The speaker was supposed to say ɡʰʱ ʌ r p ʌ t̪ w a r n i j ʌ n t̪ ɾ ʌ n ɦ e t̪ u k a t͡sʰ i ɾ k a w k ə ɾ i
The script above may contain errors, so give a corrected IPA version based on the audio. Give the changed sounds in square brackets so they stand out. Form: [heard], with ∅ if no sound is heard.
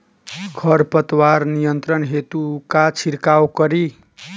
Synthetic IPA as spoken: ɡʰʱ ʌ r p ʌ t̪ w a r n i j ʌ n t̪ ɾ ʌ n ɦ e t̪ u k a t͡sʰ i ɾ k a w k [ʌ] ɾ i